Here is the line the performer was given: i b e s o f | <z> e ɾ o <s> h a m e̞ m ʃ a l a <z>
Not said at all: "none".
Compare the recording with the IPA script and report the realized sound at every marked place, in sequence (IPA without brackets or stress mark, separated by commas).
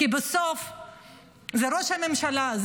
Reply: z, ʃ, z